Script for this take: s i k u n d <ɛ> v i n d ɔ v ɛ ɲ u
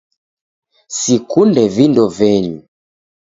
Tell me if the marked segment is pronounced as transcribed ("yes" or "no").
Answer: yes